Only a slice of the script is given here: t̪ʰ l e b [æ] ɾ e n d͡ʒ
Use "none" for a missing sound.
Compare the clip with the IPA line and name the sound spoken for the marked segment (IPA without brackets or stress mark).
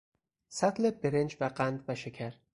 e